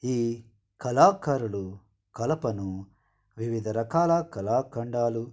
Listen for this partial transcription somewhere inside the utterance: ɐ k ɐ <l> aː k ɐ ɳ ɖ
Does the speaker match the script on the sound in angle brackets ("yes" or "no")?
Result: yes